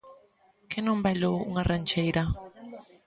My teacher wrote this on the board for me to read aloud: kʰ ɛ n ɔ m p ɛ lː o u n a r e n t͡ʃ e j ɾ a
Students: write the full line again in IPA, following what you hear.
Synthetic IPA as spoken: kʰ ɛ n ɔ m b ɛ l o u ŋ a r a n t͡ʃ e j ɾ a